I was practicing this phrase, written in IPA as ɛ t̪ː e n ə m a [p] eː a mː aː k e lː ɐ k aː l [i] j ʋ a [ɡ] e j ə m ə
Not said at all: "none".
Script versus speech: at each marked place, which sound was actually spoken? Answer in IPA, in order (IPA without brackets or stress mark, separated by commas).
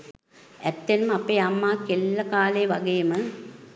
p, e, ɡ